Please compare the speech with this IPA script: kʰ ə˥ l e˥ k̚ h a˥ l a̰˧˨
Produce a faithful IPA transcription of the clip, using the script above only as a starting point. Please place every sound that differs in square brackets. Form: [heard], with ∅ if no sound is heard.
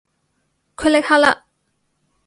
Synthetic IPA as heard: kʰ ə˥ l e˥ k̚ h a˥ l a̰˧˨